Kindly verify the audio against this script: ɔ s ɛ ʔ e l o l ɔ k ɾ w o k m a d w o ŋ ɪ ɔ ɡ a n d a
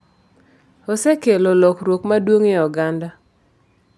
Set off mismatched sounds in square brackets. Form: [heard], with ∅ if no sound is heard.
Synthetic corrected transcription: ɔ s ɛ [k] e l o l ɔ k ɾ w o k m a d w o ŋ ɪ ɔ ɡ a n d a